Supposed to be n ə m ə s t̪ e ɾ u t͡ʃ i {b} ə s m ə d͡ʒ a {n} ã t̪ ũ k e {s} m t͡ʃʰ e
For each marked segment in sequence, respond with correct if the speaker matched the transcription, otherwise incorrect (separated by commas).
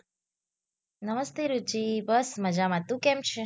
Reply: correct, incorrect, incorrect